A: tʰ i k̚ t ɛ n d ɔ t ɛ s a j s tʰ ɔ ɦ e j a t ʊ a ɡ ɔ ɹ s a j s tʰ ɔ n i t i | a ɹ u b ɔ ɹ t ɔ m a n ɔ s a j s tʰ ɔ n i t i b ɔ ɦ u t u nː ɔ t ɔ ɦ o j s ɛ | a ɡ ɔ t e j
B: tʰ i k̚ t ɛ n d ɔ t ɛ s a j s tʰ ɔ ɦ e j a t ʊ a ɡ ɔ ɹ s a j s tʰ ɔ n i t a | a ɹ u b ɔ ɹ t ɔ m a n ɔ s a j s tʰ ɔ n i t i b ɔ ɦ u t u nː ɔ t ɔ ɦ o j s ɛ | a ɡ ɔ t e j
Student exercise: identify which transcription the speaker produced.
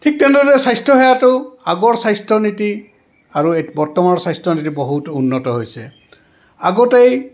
A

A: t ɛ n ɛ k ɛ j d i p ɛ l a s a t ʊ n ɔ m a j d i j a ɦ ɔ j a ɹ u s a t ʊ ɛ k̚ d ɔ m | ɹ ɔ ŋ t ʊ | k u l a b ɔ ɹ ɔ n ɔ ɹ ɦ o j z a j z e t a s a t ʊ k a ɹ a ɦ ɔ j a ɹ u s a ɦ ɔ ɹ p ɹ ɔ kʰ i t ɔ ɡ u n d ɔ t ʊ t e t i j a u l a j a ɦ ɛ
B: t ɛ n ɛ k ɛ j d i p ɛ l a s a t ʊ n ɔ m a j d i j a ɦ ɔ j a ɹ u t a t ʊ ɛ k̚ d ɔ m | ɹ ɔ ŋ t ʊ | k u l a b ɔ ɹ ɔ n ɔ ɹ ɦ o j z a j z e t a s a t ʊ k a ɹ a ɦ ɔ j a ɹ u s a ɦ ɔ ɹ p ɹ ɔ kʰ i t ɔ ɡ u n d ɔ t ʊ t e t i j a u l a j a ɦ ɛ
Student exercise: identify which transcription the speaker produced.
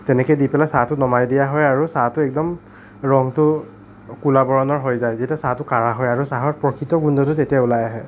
A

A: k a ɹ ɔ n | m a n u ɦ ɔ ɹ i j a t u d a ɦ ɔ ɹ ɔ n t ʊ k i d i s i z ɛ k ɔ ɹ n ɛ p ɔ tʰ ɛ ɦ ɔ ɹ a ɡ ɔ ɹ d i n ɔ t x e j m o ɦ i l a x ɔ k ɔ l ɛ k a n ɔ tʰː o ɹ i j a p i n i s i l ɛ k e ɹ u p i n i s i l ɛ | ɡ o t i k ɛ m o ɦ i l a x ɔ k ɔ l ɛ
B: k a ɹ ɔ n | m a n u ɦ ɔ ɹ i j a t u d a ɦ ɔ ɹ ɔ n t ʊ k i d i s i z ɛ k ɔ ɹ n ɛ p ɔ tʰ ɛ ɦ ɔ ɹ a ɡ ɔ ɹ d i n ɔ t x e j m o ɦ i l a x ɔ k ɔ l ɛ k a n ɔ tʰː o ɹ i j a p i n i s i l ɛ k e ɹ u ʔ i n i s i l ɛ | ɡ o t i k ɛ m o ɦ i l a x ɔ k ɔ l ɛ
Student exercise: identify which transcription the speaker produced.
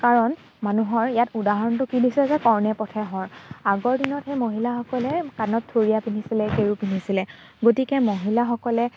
A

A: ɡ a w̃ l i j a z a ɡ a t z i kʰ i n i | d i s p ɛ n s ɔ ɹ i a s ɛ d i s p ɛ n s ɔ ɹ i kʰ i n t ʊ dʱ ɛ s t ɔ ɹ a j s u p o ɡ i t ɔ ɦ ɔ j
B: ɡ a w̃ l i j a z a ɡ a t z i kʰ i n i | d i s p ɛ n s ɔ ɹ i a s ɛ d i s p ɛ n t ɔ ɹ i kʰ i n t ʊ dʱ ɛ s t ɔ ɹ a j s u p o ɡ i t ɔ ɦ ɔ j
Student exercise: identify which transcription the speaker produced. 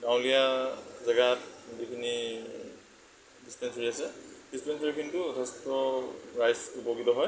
A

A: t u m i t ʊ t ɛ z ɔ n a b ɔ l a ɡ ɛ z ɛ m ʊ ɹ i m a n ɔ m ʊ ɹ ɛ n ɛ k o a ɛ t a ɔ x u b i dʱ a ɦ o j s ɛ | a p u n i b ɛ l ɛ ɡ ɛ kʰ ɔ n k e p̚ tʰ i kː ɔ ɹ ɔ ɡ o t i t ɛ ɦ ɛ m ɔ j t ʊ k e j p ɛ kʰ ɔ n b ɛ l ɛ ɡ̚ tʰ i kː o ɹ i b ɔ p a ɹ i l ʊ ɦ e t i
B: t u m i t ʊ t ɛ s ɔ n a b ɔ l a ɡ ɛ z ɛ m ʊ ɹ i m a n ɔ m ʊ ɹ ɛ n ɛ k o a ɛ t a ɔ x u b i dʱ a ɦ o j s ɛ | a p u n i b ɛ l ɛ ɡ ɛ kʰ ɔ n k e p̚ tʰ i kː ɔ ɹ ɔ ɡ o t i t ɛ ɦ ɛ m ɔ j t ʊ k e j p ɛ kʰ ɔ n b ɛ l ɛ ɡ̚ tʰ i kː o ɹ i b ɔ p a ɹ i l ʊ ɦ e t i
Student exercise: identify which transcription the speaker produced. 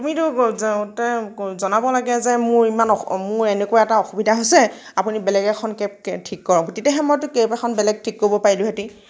A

